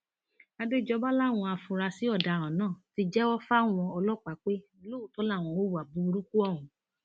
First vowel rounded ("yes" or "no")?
no